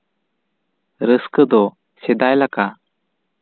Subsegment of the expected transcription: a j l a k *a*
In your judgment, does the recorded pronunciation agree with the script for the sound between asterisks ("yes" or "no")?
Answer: yes